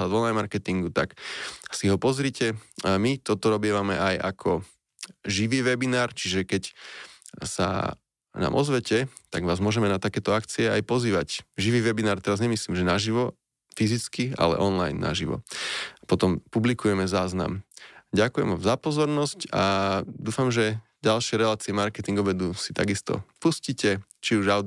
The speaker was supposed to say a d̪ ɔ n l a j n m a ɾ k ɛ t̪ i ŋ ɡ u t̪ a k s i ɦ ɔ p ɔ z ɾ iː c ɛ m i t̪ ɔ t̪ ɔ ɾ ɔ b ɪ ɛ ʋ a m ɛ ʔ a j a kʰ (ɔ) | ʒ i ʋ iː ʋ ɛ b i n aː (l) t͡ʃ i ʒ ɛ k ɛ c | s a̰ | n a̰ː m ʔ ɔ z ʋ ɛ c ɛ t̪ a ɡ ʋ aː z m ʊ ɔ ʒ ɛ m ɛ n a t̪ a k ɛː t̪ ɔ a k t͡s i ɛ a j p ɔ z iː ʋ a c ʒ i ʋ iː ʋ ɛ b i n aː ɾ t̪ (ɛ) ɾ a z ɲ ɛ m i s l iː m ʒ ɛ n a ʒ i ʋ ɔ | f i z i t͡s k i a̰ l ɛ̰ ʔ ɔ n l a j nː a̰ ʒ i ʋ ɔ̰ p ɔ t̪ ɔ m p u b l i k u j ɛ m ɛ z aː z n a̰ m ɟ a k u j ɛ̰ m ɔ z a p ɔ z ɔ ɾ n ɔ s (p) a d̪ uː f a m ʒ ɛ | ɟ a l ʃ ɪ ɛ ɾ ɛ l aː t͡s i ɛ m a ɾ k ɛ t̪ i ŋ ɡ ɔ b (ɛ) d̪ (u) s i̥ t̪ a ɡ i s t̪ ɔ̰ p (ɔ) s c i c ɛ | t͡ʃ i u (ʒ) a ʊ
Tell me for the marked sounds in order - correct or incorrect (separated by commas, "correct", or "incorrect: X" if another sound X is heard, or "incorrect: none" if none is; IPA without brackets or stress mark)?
correct, incorrect: ɾ, correct, incorrect: c, correct, correct, incorrect: u, correct